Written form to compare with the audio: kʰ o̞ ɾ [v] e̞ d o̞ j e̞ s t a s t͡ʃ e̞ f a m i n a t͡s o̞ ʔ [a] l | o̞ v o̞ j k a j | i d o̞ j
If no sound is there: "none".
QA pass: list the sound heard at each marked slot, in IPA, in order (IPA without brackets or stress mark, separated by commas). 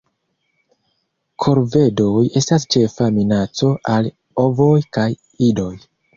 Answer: v, a